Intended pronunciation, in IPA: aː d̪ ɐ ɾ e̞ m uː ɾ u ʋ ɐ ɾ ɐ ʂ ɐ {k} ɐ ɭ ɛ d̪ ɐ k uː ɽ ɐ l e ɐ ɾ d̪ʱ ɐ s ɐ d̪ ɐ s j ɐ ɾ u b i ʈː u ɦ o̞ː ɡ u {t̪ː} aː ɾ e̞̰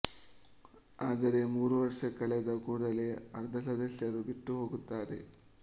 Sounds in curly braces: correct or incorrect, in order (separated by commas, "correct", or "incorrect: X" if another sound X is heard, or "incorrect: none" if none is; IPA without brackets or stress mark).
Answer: correct, correct